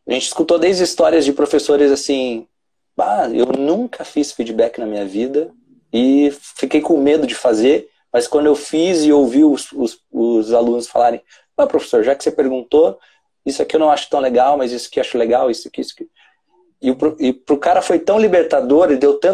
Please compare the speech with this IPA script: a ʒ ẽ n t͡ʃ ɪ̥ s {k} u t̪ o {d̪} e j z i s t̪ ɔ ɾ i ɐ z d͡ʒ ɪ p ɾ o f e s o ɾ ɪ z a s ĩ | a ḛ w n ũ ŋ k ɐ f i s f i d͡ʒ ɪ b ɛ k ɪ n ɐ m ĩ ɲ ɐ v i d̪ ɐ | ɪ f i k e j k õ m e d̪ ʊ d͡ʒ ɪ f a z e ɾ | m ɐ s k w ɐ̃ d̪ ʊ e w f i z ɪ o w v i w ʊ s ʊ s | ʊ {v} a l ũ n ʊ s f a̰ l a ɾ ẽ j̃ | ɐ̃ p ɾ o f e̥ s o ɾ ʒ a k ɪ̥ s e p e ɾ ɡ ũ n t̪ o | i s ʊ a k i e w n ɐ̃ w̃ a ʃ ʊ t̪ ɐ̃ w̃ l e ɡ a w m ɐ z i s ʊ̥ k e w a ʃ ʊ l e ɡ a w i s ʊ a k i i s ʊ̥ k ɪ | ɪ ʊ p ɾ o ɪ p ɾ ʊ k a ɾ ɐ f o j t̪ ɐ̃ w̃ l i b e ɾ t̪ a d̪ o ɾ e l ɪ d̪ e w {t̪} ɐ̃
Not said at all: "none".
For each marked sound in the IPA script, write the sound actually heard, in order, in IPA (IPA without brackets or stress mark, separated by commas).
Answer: k, d̪, z, t̪